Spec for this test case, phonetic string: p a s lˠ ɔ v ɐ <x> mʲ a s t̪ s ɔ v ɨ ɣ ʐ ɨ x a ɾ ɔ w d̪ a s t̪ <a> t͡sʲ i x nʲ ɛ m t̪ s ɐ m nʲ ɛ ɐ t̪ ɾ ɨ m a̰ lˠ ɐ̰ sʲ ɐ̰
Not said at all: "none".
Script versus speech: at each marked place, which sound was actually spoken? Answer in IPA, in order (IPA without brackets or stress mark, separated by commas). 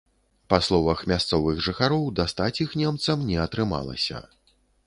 x, a